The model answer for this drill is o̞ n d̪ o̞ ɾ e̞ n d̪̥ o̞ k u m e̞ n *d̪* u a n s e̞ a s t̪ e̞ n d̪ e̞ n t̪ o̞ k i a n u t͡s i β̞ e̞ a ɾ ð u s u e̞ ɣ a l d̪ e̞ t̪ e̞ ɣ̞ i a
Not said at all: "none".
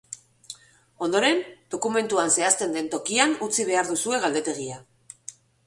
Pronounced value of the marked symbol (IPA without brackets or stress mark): t̪